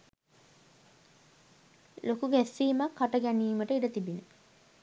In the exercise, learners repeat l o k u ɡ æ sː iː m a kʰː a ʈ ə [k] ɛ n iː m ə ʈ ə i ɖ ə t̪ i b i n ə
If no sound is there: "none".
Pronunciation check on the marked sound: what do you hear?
ɡ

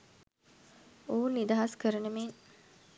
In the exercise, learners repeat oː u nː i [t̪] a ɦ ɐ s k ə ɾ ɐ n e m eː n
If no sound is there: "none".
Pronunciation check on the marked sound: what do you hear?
d̪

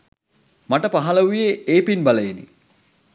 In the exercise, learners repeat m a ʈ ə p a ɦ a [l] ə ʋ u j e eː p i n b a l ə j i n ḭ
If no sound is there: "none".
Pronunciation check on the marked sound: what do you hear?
l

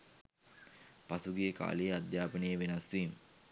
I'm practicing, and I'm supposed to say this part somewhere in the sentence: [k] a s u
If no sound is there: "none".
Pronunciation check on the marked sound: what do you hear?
p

